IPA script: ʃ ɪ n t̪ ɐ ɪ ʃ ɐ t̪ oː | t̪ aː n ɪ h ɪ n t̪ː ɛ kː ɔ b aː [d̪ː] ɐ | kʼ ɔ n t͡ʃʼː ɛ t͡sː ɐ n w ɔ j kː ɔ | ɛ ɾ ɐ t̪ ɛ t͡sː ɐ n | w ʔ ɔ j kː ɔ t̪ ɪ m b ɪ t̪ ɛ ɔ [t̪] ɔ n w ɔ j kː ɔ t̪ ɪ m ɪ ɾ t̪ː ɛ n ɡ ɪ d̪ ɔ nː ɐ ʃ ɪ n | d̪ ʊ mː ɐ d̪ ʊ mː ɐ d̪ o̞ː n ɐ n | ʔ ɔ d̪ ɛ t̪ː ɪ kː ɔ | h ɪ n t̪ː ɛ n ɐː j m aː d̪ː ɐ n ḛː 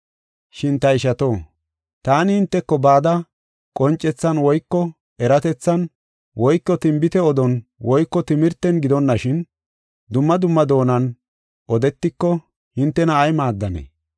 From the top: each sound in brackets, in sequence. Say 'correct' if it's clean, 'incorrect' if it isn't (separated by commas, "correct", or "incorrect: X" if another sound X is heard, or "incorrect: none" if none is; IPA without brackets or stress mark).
incorrect: d̪, incorrect: d̪